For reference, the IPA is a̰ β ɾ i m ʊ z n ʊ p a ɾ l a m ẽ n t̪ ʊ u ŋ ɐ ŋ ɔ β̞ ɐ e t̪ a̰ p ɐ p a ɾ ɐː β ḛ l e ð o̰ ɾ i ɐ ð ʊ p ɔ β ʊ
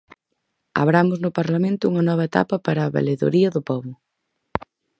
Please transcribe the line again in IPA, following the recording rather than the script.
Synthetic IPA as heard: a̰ β ɾ a m ʊ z n ʊ p a ɾ l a m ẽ n t̪ ʊ u ŋ ɐ n ɔ β̞ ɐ e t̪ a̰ p ɐ p a ɾ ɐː β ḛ l e ð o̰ ɾ i ɐ ð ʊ p ɔ β ʊ